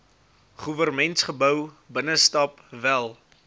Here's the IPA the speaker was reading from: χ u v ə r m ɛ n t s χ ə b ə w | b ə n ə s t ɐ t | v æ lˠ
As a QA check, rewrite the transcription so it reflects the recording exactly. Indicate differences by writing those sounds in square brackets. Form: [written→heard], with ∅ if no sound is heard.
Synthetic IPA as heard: χ u v ə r m ɛ n t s χ ə b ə w | b ə n ə s t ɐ [t→p] | v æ lˠ